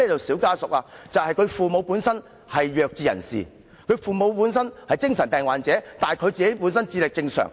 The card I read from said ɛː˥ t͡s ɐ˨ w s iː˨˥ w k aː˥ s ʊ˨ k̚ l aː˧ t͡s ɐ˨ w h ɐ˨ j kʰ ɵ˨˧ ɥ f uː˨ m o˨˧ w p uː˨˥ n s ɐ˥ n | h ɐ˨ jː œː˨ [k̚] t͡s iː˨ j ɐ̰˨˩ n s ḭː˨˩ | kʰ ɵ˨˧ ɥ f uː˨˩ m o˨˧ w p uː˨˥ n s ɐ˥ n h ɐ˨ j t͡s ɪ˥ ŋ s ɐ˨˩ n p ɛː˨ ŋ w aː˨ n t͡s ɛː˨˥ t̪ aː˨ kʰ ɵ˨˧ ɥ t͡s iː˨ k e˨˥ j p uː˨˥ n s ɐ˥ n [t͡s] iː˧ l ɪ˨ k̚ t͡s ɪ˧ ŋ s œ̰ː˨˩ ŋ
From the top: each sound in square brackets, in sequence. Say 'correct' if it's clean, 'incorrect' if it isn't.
correct, correct

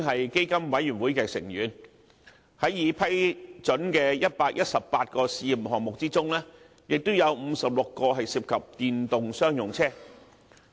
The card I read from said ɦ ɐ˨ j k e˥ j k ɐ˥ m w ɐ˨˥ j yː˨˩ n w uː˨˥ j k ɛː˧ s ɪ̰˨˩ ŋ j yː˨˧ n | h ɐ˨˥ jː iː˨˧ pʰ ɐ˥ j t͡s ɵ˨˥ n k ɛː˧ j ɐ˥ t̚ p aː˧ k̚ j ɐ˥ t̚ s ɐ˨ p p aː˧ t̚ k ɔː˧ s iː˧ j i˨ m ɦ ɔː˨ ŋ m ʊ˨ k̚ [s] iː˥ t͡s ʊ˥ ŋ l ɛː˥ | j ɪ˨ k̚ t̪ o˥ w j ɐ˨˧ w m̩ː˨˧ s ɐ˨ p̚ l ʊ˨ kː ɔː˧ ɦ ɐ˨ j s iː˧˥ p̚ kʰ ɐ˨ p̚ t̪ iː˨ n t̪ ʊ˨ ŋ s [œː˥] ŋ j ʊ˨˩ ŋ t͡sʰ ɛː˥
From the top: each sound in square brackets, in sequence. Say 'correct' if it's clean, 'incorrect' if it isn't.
incorrect: t͡s, correct

